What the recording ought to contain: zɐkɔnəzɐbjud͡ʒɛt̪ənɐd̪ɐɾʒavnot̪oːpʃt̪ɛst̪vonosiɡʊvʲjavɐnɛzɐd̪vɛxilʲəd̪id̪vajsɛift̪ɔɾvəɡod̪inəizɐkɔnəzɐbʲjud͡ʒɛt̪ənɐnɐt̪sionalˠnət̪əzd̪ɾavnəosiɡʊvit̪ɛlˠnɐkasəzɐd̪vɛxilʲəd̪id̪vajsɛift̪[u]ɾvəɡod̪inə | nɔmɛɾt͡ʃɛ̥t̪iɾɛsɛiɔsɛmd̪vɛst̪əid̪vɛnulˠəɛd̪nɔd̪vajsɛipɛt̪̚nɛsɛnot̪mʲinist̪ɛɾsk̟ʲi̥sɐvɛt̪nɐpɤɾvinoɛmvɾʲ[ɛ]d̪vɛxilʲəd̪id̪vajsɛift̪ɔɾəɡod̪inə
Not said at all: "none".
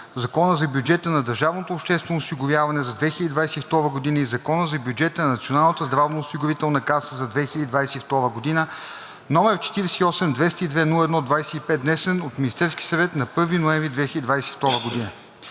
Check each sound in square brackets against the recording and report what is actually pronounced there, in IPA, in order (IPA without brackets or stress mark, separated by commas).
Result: ɔ, i